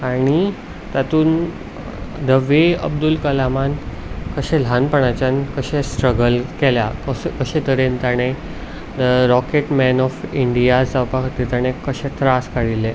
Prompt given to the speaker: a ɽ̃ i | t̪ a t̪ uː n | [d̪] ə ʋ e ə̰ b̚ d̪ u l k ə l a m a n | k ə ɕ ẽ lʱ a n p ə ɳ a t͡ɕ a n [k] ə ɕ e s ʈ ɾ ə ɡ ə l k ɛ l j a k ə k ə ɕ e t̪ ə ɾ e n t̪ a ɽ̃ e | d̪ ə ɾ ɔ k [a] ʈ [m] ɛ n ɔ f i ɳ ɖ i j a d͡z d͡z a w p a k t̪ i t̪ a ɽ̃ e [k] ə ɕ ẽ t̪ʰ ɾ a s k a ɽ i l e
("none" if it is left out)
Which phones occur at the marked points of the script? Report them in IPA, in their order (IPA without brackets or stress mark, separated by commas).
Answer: d̪, k, e, m, k